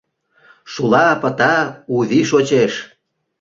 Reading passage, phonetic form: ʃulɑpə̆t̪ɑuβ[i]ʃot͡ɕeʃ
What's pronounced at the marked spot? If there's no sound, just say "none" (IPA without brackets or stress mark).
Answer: i